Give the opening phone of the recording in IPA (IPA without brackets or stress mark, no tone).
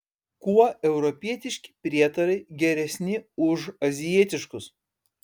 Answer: k